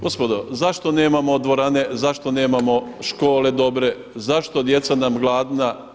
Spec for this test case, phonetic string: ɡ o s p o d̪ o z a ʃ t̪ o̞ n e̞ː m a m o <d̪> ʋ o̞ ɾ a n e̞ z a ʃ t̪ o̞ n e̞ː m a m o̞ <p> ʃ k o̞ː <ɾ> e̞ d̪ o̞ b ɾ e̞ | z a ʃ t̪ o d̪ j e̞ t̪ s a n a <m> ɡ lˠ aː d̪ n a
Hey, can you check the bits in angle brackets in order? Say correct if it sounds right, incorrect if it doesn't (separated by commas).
correct, incorrect, incorrect, correct